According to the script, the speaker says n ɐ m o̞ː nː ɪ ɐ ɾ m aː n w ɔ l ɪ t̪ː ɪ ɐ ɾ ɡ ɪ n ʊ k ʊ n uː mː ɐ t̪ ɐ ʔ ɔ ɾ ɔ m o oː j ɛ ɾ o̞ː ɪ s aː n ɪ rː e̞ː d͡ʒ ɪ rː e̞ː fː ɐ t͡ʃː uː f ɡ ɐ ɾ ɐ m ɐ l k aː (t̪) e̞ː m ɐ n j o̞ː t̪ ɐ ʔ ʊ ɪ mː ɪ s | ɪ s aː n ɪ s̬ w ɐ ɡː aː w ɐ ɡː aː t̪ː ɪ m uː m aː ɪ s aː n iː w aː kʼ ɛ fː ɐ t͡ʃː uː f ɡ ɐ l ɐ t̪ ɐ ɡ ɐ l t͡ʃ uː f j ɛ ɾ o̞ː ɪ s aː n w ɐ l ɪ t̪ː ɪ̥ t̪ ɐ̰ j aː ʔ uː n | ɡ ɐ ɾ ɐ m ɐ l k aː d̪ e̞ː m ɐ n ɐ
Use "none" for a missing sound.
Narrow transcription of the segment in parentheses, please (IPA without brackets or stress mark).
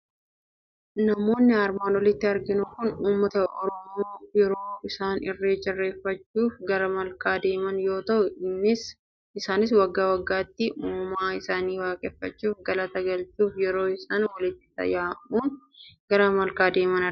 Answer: d̪